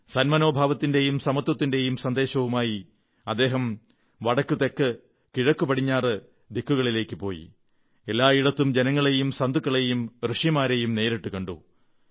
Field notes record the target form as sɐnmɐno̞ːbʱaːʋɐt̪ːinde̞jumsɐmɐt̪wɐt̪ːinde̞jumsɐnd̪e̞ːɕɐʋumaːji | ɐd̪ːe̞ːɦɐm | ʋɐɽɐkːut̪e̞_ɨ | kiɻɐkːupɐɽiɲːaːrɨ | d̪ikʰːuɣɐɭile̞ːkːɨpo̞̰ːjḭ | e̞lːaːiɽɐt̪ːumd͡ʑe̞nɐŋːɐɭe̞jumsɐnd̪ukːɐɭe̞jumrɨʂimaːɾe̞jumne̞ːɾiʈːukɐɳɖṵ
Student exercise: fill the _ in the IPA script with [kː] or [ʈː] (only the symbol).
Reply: kː